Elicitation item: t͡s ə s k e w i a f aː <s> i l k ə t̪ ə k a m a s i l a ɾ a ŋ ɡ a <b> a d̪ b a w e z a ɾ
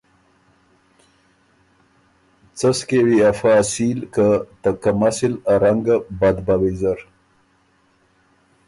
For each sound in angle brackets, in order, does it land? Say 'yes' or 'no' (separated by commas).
yes, yes